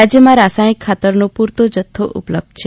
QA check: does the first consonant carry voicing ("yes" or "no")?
yes